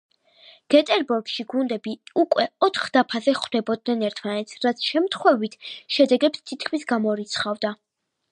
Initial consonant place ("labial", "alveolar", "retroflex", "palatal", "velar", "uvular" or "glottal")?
velar